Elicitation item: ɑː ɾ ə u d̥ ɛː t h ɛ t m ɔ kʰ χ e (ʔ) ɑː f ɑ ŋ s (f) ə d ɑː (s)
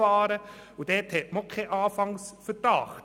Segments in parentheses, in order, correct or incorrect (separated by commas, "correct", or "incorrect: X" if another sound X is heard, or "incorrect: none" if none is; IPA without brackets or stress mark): correct, correct, incorrect: χ